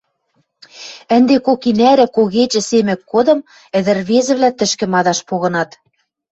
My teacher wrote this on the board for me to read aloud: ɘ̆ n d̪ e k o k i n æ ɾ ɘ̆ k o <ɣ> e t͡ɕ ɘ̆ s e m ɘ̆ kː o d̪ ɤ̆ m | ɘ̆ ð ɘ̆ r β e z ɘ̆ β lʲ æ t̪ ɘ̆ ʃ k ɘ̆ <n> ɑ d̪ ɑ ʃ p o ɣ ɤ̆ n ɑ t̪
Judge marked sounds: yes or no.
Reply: yes, no

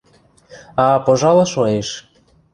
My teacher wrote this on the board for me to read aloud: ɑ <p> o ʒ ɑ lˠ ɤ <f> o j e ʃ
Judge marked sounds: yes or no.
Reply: yes, no

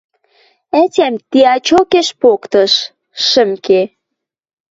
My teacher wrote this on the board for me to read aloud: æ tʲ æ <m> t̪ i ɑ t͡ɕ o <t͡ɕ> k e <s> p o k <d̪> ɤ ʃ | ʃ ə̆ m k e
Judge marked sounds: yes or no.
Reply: yes, no, no, no

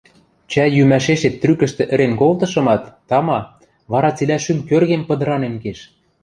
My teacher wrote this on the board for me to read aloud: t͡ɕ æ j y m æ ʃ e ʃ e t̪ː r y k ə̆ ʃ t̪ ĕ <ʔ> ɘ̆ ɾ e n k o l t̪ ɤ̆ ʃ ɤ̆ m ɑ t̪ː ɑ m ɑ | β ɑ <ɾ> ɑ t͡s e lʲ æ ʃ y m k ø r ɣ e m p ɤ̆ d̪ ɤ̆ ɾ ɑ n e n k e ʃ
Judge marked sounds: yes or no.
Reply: yes, yes

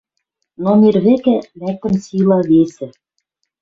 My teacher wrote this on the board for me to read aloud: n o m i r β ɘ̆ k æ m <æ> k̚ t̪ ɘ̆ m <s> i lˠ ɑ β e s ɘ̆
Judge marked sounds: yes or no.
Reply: yes, yes

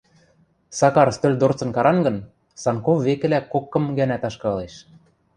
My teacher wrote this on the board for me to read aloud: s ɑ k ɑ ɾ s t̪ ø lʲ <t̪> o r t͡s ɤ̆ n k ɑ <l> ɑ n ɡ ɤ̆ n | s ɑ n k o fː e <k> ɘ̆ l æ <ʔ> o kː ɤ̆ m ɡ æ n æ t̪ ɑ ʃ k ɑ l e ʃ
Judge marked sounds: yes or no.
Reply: no, no, yes, no

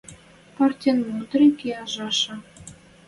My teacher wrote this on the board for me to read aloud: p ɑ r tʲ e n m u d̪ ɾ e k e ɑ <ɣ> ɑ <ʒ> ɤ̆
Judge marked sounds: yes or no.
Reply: no, no

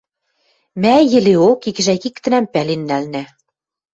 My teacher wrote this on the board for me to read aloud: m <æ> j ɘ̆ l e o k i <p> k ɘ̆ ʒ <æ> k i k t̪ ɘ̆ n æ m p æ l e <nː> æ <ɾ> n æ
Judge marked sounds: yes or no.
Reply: yes, no, yes, yes, no

